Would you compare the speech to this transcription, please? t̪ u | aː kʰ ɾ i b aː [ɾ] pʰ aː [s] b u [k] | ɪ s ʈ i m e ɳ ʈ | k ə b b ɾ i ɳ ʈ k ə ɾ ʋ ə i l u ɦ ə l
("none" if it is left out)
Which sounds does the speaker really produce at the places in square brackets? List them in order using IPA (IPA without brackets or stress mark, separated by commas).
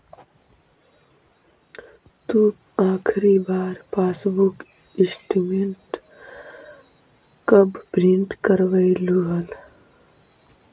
ɾ, s, k